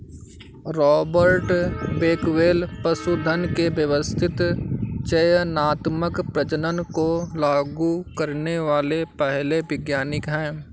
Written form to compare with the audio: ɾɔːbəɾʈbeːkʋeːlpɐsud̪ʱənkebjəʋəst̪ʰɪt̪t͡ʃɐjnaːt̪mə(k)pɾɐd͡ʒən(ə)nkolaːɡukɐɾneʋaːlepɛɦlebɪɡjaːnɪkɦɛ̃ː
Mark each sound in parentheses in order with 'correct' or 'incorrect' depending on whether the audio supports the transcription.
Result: correct, correct

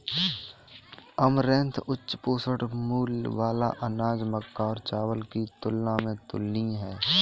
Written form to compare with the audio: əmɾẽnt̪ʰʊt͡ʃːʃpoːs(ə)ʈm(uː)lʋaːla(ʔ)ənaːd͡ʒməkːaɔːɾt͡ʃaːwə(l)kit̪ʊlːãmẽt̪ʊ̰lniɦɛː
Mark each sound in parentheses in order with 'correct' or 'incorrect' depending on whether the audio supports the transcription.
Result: correct, correct, correct, correct

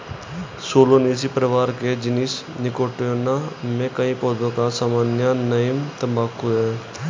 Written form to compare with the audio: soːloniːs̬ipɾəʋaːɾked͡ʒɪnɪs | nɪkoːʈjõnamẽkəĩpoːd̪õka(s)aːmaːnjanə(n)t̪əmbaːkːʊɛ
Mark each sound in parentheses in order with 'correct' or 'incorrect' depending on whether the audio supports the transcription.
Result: correct, incorrect: m

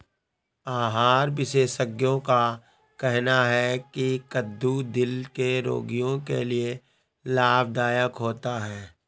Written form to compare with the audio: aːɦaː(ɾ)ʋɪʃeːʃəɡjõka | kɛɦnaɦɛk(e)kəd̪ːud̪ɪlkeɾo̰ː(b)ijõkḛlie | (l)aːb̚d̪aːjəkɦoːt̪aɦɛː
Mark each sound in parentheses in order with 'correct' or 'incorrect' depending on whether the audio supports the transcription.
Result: correct, incorrect: i, incorrect: ɡ, correct

